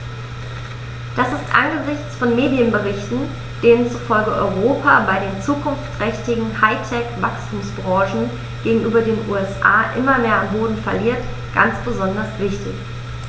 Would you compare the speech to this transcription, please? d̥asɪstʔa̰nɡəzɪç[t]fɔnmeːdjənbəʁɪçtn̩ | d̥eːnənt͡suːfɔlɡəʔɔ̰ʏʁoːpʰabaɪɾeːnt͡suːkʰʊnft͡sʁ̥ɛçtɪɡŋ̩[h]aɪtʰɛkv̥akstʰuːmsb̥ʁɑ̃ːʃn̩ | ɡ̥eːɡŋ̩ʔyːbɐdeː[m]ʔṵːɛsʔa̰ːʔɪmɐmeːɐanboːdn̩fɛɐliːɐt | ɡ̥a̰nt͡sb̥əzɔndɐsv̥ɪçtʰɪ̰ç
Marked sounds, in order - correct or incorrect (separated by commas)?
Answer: incorrect, correct, incorrect